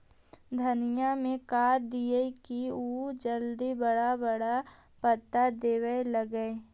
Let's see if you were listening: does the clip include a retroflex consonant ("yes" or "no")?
yes